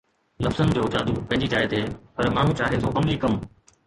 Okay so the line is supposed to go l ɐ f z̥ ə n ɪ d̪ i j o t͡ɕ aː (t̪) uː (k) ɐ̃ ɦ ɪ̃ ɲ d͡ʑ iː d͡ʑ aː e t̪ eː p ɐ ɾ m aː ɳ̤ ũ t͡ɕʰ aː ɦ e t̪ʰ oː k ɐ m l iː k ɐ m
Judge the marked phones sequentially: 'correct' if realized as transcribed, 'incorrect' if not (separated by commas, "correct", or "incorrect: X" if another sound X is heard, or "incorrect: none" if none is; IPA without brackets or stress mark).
incorrect: d̪, incorrect: p